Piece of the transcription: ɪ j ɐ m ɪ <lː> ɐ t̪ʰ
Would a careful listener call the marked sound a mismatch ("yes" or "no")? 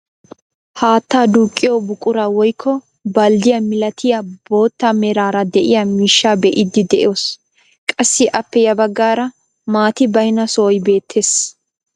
yes